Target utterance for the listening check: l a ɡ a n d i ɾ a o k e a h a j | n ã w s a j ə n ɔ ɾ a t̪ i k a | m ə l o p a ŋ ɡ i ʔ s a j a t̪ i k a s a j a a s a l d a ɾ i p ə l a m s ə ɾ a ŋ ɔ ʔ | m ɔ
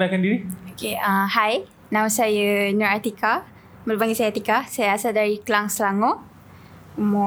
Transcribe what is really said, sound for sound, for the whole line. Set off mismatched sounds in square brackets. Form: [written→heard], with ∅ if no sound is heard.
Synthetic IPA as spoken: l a [ɡ→k] a n d i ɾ [a→i] o k e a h a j | n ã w s a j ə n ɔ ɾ a t̪ i k a | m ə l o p a ŋ ɡ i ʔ s a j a t̪ i k a s a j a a s a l d a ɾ i [p→k] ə l a [m→ŋ] s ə [ɾ→l] a ŋ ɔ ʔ | m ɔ